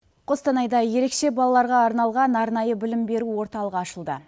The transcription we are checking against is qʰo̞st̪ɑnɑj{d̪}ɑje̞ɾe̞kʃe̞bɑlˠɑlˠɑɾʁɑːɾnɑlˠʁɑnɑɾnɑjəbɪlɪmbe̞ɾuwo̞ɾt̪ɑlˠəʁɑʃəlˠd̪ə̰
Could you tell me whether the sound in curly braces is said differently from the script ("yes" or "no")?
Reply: no